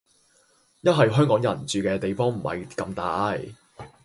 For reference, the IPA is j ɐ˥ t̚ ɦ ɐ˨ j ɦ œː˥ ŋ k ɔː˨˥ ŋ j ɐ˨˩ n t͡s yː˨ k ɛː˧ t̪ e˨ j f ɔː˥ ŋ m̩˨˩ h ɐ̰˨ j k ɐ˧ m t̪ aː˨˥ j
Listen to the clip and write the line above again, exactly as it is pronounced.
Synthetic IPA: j ɐ˥ t̚ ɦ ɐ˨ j ɦ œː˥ ŋ k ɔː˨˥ ŋ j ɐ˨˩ n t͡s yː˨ k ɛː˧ t̪ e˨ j f ɔː˥ ŋ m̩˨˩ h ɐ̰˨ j k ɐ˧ m t̪ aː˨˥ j